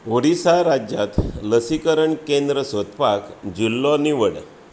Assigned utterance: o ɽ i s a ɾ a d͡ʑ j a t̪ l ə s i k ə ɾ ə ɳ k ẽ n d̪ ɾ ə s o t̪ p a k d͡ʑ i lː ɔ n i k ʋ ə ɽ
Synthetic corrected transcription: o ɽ i s a ɾ a d͡ʑ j a t̪ l ə s i k ə ɾ ə ɳ k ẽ n d̪ ɾ ə s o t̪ p a k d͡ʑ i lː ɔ n i ʋ ə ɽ